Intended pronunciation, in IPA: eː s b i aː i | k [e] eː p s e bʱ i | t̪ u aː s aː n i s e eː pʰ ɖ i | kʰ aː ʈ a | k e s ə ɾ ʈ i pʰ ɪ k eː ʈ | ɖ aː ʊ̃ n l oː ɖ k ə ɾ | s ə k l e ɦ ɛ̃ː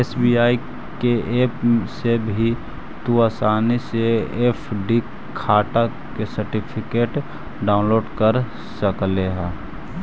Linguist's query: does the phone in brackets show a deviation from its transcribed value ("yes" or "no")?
no